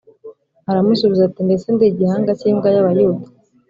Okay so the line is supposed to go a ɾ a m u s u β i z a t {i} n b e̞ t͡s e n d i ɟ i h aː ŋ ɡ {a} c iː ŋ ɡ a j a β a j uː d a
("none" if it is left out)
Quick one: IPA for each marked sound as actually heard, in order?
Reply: i, a

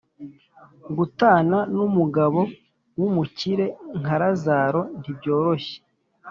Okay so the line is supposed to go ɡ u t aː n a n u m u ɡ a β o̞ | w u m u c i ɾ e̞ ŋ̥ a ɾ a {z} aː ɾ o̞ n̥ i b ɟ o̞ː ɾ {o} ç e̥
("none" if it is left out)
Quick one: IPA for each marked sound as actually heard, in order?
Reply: z, o

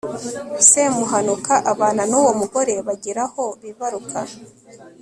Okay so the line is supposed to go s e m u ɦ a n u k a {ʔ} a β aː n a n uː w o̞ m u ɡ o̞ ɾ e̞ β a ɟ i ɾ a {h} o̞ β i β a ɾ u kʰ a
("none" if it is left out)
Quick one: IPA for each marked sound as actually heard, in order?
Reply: ʔ, h

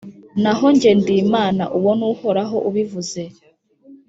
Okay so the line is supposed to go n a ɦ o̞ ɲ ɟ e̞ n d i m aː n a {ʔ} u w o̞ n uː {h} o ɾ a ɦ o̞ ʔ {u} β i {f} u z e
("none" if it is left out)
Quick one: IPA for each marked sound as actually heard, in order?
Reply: ʔ, h, u, v

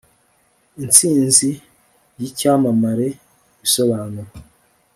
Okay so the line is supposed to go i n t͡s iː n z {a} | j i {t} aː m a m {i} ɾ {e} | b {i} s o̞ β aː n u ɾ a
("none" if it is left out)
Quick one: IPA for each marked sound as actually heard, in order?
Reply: i, c, a, e, i

